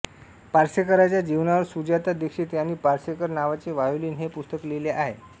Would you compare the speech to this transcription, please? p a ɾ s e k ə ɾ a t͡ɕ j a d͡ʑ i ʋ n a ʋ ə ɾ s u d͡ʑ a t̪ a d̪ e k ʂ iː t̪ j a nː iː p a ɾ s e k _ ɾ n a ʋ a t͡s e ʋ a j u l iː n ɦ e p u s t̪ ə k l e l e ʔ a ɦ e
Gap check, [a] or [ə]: ə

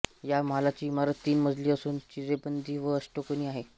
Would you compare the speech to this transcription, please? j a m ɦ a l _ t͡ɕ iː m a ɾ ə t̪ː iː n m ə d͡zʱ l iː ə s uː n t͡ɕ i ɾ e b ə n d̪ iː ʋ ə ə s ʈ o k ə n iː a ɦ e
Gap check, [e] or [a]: a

